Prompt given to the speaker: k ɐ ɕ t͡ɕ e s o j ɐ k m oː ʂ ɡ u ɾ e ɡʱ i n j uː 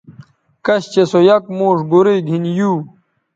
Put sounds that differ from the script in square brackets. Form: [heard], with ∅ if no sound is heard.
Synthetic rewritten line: k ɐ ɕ t͡ɕ e s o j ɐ k m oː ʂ ɡ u ɾ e ɡʱ i n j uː